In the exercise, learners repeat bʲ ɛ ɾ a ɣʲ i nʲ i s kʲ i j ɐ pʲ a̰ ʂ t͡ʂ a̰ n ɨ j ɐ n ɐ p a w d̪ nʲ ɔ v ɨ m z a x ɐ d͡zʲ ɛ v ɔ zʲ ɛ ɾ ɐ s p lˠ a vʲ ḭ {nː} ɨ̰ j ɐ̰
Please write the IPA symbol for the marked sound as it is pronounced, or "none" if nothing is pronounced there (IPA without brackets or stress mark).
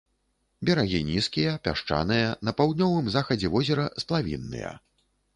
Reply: nː